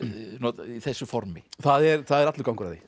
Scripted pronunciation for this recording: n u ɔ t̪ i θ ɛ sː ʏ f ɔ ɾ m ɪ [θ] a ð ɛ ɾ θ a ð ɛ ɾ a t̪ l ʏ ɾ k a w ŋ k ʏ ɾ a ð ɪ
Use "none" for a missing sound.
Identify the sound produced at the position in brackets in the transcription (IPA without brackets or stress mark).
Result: θ